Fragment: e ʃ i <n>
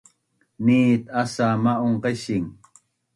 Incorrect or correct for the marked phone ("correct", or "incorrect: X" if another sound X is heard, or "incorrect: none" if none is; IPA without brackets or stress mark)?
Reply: incorrect: ŋ